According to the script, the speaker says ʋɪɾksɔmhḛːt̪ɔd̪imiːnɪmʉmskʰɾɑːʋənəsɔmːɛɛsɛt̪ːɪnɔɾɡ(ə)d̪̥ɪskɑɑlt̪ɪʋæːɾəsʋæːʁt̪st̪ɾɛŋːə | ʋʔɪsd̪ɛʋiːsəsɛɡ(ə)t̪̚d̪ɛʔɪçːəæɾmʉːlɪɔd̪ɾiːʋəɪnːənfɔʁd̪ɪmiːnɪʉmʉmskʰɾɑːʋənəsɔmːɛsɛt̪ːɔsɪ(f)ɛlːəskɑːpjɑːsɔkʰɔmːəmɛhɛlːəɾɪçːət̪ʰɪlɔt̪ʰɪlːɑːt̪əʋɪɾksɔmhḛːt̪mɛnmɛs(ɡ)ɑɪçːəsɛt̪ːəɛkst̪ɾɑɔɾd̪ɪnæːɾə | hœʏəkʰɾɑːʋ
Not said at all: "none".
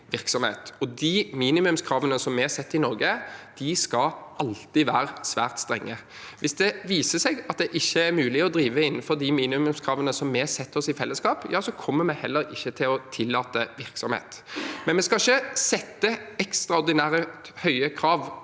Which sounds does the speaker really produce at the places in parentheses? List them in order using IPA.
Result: ə, ɑ, f, k

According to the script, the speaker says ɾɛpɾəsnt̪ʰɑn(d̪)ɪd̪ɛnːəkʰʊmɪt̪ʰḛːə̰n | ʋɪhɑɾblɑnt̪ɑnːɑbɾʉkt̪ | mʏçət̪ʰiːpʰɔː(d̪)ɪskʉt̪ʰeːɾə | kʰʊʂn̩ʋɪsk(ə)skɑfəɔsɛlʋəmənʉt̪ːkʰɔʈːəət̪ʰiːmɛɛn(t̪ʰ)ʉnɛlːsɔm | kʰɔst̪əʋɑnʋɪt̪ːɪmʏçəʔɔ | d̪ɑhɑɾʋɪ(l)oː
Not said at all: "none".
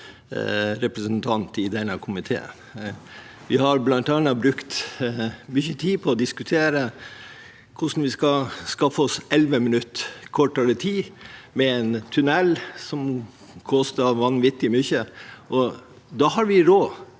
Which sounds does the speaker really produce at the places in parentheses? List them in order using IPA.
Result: t̪, d̪, ɑ, t̪ʰ, ɾ

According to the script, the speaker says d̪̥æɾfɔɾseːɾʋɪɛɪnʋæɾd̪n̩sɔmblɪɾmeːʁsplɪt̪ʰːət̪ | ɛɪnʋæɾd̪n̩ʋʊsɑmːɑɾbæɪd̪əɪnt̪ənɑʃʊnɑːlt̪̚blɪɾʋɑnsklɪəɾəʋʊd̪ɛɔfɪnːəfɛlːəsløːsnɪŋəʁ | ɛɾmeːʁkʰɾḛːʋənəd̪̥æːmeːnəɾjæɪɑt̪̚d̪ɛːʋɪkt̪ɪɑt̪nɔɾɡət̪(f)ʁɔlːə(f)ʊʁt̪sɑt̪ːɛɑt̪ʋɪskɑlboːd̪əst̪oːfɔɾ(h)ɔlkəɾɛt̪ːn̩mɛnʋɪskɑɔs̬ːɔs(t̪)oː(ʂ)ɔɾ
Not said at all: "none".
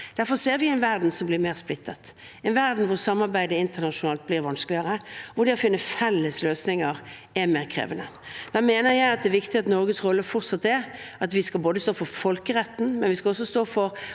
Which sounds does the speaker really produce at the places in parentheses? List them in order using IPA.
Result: s, f, f, t̪, f

